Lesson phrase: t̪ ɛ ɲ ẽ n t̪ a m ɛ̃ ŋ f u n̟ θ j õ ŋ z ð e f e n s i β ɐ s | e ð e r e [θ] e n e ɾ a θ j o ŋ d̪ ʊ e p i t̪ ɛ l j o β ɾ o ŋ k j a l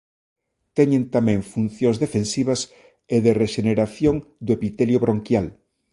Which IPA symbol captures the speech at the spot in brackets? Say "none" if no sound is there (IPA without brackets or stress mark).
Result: ʃ